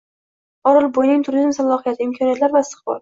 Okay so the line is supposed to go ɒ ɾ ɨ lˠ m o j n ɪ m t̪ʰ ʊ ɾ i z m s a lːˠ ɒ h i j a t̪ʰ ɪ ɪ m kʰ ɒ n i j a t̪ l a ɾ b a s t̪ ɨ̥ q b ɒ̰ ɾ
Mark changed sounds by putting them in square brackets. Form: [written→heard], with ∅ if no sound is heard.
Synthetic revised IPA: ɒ ɾ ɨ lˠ [m→b] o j n ɪ [m→ŋ] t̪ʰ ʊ ɾ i z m s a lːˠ ɒ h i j a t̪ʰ ɪ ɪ m kʰ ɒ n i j a t̪ l a ɾ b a s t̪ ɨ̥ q b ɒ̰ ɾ